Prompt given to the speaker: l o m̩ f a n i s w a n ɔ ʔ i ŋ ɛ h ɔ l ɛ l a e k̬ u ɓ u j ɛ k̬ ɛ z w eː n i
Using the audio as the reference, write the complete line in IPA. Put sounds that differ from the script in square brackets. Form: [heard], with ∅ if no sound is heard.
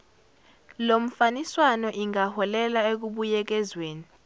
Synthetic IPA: l o m̩ f a n i s w a n ɔ ʔ i ŋ [a] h ɔ l ɛ l a e k̬ u ɓ u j ɛ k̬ ɛ z w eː n i